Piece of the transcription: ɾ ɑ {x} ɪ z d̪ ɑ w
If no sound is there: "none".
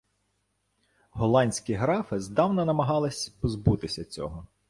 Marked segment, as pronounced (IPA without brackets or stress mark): f